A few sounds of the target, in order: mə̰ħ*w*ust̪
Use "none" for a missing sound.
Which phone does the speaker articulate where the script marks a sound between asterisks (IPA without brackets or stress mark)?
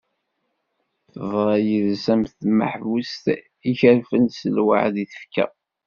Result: v